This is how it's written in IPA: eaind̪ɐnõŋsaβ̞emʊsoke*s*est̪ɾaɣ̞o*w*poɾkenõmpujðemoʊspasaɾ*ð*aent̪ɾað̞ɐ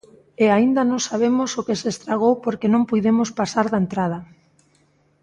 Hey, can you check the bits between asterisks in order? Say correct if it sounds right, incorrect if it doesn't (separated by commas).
correct, correct, correct